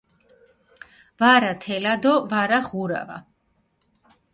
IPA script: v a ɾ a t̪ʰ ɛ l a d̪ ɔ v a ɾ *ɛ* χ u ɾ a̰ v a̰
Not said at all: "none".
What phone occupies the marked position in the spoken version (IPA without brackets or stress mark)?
a